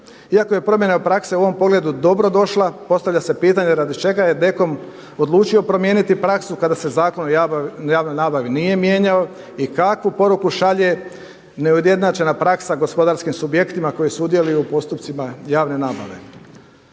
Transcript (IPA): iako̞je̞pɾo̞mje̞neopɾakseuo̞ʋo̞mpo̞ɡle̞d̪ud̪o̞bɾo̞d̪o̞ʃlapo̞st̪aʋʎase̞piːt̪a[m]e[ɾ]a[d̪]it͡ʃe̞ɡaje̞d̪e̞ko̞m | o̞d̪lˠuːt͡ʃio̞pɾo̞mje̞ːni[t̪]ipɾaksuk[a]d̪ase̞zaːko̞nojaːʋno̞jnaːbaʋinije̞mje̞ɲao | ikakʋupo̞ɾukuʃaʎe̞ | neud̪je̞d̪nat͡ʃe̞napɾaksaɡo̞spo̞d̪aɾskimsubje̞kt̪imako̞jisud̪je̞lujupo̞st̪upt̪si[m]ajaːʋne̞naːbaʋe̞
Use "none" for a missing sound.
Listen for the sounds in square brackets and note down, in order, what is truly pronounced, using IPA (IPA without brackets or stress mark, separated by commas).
ɲ, ɾ, d̪, t̪, a, m